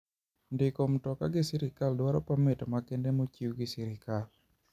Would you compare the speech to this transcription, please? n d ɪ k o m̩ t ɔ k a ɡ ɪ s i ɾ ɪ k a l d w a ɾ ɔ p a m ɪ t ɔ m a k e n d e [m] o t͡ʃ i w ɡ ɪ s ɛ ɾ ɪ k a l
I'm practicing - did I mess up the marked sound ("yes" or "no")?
no